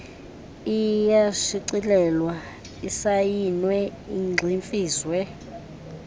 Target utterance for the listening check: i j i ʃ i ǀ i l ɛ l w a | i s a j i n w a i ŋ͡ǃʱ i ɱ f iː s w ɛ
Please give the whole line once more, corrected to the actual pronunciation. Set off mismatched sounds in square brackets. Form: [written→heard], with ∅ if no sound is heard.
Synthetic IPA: i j [i→a] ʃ i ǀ i l ɛ l w a | i s a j i n w [a→ɛ] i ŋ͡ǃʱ i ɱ f iː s w ɛ